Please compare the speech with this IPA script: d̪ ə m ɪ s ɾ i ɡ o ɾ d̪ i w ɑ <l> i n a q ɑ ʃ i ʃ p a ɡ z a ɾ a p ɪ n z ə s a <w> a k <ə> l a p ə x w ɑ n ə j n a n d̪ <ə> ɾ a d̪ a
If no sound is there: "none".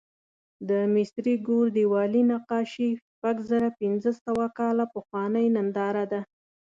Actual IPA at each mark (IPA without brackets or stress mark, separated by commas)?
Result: l, w, ɑ, ɑ